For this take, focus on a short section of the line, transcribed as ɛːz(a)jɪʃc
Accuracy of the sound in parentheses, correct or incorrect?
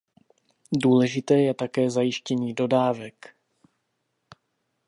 correct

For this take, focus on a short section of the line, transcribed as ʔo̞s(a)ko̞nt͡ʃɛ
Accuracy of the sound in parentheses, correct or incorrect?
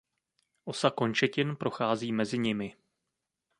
correct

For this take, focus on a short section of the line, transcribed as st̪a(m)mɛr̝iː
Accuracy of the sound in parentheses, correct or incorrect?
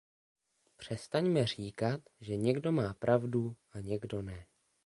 incorrect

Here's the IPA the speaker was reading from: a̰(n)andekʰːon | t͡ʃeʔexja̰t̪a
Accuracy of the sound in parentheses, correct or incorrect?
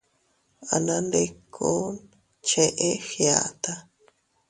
correct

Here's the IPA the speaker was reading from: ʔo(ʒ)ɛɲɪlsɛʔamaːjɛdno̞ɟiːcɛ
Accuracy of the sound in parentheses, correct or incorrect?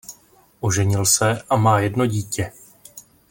correct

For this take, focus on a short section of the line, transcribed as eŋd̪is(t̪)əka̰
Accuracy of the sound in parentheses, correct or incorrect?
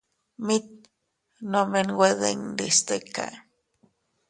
correct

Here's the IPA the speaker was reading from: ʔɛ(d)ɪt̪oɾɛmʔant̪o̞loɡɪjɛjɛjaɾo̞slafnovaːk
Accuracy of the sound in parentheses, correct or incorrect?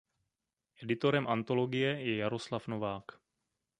correct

